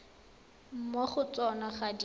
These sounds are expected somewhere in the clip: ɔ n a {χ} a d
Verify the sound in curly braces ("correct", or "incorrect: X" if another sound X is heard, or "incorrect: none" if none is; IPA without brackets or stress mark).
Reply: correct